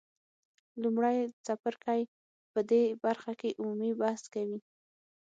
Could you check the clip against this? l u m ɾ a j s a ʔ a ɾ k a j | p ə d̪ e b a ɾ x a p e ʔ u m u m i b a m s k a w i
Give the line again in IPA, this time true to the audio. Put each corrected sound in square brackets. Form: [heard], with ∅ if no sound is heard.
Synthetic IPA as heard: l u m [ɽ] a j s a [p] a ɾ k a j | p ə d̪ e b a ɾ x a [k] e ʔ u m u m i b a [∅] s k a w i